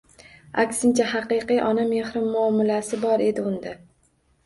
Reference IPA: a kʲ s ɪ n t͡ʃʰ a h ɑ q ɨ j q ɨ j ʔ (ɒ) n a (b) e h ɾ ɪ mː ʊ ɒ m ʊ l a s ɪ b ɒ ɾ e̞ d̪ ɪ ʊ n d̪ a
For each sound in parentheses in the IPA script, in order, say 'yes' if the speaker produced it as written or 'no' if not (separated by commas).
yes, no